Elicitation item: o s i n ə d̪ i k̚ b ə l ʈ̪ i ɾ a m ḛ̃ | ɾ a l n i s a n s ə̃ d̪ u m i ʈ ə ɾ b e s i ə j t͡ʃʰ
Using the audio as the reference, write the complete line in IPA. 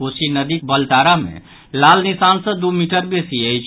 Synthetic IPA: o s i n ə d̪ i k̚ b ə l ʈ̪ a ɾ a m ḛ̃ | l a l n i s a n s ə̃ d̪ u m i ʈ ə ɾ b e s i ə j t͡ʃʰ